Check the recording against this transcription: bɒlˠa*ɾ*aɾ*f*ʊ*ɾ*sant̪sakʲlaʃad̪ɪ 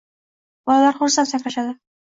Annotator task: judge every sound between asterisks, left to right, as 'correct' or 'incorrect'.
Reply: incorrect: l, incorrect: χ, correct

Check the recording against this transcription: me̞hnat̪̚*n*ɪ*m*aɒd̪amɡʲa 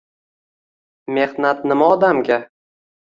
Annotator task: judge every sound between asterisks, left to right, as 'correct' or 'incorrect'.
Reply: correct, correct

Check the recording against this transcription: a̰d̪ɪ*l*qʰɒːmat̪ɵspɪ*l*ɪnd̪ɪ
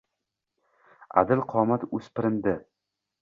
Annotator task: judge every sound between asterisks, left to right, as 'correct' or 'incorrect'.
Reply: correct, incorrect: ɾ

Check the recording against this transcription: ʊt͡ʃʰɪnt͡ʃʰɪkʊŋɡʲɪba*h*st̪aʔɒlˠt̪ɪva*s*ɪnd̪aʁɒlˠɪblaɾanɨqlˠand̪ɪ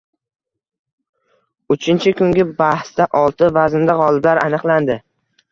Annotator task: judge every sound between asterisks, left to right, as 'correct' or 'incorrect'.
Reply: correct, incorrect: z

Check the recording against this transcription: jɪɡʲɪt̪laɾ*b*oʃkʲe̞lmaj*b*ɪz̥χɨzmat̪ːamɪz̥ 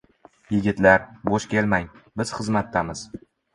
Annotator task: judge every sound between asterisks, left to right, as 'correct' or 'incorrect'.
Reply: correct, correct

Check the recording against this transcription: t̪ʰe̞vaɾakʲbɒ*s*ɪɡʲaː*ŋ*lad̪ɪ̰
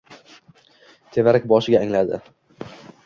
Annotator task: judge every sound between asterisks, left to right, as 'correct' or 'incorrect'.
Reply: incorrect: ʃ, correct

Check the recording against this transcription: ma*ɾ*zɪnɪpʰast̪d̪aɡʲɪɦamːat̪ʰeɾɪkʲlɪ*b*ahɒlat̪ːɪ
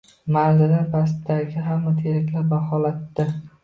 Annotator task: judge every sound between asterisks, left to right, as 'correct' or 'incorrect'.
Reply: correct, correct

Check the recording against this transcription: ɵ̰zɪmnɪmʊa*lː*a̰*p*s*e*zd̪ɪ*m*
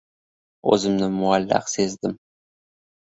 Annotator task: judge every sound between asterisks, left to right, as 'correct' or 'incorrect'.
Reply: correct, incorrect: q, correct, correct

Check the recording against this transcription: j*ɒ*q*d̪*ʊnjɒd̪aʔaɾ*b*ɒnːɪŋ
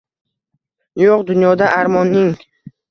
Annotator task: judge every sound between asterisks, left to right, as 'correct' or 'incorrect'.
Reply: incorrect: o, correct, incorrect: m

